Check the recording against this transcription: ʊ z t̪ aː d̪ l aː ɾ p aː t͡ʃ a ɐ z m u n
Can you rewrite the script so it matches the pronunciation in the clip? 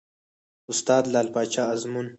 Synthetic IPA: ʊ s t̪ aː d̪ l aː l p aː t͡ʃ a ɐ z m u n